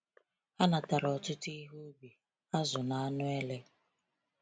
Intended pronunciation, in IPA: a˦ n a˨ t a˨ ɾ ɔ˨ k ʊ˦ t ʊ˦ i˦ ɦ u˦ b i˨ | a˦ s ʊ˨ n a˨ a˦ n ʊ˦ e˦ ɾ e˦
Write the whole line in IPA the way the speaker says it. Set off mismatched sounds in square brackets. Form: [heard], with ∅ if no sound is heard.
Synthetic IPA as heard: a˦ n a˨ t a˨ ɾ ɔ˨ [t] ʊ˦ t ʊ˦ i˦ ɦ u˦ b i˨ | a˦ [z] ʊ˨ n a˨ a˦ n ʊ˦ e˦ [l] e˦